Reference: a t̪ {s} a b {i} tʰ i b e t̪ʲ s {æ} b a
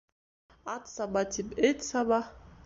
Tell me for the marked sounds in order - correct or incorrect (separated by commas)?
correct, incorrect, incorrect